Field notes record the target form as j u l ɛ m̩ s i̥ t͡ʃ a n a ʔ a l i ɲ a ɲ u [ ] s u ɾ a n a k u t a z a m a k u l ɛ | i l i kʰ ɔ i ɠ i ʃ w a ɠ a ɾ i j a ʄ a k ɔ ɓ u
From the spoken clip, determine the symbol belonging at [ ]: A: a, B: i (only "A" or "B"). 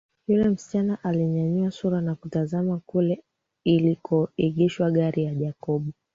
A